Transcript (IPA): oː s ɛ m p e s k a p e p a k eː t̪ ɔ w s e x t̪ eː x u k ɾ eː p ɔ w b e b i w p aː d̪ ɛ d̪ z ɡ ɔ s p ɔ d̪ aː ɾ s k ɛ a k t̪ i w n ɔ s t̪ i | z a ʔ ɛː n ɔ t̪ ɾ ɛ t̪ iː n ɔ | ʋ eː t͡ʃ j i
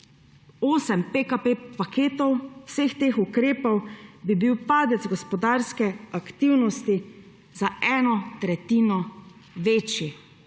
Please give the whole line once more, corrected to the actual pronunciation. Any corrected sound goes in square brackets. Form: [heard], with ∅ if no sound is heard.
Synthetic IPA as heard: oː s ɛ m p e [∅] k a p e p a k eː t̪ ɔ w s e x t̪ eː x u k ɾ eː p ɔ w b [i] b i w p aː d̪ ɛ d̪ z ɡ ɔ s p ɔ d̪ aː ɾ s k ɛ a k t̪ i w n ɔ s t̪ i | z a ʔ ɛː n ɔ t̪ ɾ ɛ t̪ iː n ɔ | ʋ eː t͡ʃ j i